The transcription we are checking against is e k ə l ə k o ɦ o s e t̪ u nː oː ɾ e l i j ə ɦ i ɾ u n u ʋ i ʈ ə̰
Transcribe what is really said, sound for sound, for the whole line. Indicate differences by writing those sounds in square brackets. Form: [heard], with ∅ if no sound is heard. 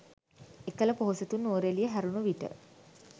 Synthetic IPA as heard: e k ə l ə [p] o ɦ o s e t̪ u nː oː ɾ e l i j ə ɦ [æ] ɾ u n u ʋ i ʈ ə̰